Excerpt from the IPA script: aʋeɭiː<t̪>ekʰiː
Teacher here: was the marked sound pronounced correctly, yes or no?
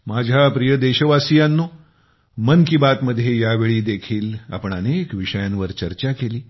no